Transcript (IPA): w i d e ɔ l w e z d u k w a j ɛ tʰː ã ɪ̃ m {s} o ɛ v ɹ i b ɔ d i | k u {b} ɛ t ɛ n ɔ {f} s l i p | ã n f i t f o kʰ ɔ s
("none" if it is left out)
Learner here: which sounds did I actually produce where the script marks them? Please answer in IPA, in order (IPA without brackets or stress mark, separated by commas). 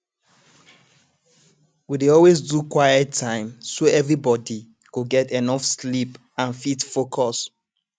s, ɡ, f